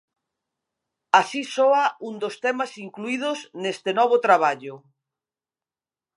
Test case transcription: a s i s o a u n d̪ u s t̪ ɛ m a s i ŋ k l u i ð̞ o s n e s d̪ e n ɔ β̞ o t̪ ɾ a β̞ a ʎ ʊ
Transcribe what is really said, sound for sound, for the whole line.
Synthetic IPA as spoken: a s i s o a u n d̪ o s t̪ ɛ m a s i ŋ k l u i ð̞ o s n e s t̪ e n ɔ β̞ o t̪ ɾ a β̞ a ʎ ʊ

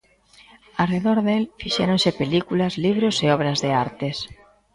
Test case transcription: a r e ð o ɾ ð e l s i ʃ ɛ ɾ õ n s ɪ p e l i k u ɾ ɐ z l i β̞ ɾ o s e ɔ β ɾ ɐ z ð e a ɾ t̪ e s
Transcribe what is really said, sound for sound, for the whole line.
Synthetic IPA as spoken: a r e ð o ɾ ð e l f i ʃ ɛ ɾ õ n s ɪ p e l i k u l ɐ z l i β̞ ɾ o s e ɔ β ɾ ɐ z ð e a ɾ t̪ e s

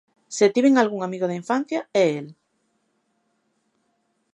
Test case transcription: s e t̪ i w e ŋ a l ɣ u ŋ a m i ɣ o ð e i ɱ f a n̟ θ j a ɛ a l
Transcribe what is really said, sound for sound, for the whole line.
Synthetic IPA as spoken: s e t̪ i β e ŋ a l ɣ u ŋ a m i ɣ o ð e i ɱ f a n̟ θ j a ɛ e l

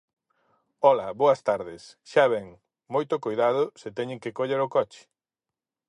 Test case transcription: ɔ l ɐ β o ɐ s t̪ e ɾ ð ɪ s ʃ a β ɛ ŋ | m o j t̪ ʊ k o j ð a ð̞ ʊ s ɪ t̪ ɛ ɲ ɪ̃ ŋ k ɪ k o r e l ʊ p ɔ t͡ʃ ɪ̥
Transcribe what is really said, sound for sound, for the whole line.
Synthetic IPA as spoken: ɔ l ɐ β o ɐ s t̪ a ɾ ð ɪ s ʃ a β ɛ ŋ | m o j t̪ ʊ k o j ð a ð̞ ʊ s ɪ t̪ ɛ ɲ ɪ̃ ŋ k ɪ k o ʎ e ɾ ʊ k ɔ t͡ʃ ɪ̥

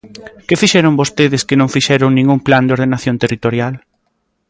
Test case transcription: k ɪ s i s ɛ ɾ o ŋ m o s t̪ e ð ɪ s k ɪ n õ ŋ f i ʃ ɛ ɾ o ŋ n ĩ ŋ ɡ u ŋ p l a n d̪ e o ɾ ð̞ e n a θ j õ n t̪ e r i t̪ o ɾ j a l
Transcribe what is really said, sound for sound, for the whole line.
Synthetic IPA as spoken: k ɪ f i ʃ ɛ ɾ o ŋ b o s t̪ e ð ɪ s k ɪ n õ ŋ f i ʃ ɛ ɾ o ŋ n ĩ ŋ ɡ u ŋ p l a n d̪ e o ɾ ð̞ e n a θ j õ n t̪ e r i t̪ o ɾ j a l

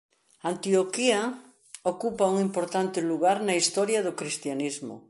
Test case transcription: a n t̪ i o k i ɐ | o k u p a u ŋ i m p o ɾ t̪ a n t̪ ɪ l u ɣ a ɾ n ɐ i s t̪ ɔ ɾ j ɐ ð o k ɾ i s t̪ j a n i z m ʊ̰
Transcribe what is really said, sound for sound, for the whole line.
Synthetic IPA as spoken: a n t̪ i o k i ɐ | o k u p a u ŋ i m p o ɾ t̪ a n t̪ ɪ l u ɣ a ɾ n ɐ i s t̪ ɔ ɾ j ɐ ð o k ɾ i s t̪ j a n i z m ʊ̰

